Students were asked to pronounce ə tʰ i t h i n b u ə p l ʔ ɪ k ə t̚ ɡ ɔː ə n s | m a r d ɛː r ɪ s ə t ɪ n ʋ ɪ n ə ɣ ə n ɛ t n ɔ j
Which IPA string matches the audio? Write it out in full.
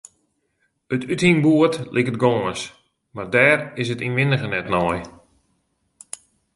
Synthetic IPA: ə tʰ y t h i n b u ə t l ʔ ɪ k ə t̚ ɡ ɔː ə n s | m a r d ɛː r ɪ s ə t i n ʋ ɪ n ə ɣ ə n ɛ t n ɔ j